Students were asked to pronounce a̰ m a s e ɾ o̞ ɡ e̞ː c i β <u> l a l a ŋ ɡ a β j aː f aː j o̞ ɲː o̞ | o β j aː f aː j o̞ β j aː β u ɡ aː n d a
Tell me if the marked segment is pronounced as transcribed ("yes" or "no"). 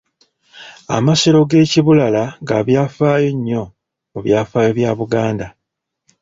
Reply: yes